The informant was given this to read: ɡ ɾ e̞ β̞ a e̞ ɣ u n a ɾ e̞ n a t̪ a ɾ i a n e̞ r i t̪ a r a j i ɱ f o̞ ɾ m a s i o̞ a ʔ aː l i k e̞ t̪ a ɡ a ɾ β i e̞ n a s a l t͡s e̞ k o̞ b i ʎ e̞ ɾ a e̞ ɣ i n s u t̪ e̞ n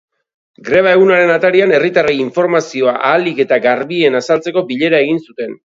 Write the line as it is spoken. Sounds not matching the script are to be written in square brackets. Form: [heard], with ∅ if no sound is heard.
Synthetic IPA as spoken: ɡ ɾ e̞ β̞ a e̞ ɣ u n a ɾ e̞ n a t̪ a ɾ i a n e̞ r i t̪ a r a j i ɱ f o̞ ɾ m a s i o̞ a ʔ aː l i k e̞ t̪ a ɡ a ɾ β i e̞ n a s a l t͡s e̞ k o̞ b i ʎ e̞ ɾ a e̞ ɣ i n s u t̪ e̞ n